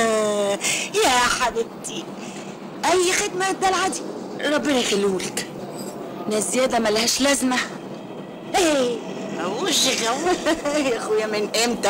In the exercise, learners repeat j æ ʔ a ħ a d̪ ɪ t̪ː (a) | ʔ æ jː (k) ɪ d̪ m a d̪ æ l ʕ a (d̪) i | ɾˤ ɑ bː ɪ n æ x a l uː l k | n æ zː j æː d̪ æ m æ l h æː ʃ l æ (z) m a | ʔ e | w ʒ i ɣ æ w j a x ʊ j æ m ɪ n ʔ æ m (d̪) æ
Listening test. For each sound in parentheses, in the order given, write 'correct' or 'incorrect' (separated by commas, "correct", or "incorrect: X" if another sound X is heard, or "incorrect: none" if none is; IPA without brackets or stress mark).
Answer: incorrect: i, incorrect: x, correct, correct, incorrect: t̪